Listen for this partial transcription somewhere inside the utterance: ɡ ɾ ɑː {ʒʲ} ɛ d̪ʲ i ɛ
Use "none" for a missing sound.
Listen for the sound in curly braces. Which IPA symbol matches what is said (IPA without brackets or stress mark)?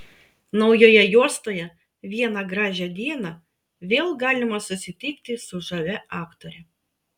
ʒʲ